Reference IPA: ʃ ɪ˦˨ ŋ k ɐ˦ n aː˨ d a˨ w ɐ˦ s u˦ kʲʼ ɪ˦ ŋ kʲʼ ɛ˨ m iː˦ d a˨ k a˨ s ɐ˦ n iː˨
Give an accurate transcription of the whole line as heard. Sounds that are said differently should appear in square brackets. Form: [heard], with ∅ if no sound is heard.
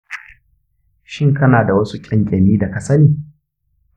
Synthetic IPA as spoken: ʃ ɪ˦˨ ŋ k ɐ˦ n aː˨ d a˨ w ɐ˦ s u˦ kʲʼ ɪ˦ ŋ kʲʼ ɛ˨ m iː˦ d a˨ k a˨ s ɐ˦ n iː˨